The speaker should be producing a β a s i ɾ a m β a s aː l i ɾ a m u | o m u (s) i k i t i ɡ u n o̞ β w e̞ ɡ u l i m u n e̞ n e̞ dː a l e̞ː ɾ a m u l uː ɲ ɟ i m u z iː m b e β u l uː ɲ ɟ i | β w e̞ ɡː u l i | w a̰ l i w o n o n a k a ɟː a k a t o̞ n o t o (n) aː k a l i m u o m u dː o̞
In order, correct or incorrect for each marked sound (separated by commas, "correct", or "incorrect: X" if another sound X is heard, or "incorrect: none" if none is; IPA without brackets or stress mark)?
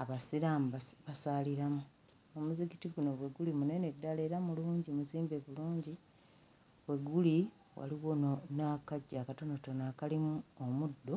incorrect: z, correct